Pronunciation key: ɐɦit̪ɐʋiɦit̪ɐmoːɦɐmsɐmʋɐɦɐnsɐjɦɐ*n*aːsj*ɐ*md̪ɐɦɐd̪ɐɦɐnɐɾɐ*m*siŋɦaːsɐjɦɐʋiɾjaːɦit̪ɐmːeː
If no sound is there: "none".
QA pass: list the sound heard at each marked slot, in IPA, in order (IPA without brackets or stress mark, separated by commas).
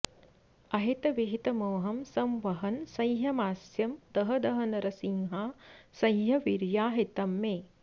m, ɐ, none